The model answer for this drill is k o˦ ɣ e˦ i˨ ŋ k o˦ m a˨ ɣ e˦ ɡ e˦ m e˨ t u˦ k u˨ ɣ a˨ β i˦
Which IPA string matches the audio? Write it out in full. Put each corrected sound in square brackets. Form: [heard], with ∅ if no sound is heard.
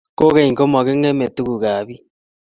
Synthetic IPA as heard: k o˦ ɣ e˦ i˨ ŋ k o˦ m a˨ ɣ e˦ [ŋ] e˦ m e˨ t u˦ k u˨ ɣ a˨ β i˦